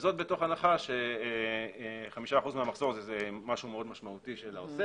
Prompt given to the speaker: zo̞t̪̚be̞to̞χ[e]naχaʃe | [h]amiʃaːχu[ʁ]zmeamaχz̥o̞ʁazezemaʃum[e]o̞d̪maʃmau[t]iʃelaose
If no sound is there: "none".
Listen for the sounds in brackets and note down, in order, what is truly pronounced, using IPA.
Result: a, χ, none, e, t

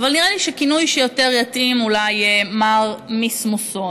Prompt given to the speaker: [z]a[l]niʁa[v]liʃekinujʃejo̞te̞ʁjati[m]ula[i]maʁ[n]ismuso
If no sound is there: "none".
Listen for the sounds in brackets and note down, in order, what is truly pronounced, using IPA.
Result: v, l, none, m, j, m

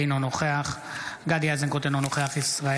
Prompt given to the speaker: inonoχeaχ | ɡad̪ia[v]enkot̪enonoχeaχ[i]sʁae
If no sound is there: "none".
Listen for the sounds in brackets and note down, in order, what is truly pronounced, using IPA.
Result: z, i

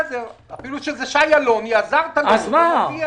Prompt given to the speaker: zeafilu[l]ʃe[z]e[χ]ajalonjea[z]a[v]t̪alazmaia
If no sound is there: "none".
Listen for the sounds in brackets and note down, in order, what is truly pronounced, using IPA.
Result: none, z, ʃ, z, ʁ

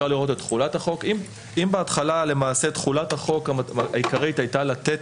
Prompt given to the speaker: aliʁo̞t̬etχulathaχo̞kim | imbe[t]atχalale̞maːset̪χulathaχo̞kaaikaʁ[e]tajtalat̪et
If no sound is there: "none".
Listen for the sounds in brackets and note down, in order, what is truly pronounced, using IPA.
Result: none, i

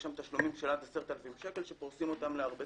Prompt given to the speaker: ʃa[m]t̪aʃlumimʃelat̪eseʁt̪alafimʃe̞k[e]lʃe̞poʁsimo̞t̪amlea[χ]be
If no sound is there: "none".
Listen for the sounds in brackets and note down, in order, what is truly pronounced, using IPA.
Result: m, e, ʁ

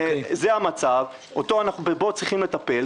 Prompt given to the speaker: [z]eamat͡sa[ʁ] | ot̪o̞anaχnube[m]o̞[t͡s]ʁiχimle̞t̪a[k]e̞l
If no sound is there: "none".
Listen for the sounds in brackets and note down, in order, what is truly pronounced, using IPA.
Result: z, v, b, t͡s, p

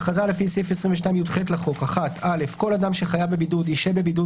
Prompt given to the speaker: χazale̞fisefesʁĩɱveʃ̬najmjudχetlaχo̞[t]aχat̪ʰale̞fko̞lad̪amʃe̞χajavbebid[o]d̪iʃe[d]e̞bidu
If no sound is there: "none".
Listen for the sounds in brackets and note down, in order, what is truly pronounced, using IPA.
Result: k, u, b

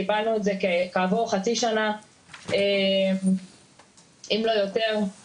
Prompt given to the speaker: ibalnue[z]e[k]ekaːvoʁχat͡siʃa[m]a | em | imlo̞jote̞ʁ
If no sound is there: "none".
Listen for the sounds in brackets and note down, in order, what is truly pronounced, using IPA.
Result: z, k, n

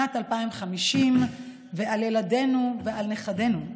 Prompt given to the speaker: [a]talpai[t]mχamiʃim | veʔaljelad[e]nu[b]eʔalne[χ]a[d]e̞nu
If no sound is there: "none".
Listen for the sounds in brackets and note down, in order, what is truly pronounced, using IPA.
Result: a, none, e, v, χ, d

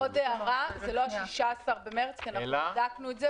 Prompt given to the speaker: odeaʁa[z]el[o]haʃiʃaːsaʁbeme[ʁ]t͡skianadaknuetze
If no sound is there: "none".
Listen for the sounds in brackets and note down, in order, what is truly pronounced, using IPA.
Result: z, o, ʁ

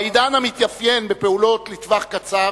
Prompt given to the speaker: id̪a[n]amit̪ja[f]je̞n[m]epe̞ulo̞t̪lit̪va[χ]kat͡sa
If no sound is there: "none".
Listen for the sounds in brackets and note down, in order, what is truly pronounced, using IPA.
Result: n, f, b, χ

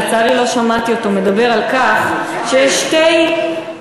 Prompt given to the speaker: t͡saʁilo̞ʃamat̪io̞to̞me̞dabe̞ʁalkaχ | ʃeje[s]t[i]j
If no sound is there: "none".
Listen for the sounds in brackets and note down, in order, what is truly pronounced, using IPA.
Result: ʃ, e

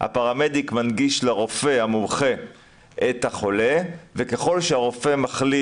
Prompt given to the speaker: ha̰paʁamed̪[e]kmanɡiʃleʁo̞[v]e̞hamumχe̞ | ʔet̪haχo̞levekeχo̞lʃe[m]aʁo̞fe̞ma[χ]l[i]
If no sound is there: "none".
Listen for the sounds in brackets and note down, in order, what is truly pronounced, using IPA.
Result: i, f, none, χ, i

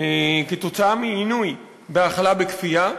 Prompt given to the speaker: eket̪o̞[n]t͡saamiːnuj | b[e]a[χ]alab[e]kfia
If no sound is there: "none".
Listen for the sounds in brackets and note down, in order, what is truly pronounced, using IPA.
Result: none, e, χ, e

